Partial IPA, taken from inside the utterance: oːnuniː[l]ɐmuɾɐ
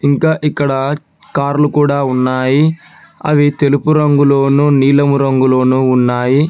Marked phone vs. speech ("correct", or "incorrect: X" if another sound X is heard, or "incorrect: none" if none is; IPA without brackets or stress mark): correct